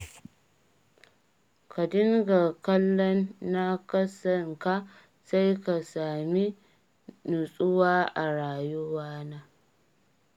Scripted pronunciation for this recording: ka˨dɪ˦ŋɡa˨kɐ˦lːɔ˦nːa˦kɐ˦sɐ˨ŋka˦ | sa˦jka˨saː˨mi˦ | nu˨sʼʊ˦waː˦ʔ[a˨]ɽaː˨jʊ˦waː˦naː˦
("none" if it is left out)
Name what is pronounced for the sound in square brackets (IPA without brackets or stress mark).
a˨